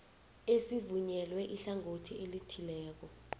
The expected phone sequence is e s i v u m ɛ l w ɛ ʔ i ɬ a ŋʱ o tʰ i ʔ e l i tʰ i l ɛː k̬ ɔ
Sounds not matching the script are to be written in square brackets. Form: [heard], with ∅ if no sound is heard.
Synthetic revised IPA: e s i v u [ɲ] ɛ l w ɛ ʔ i ɬ a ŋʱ o tʰ i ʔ e l i tʰ i l ɛː k̬ ɔ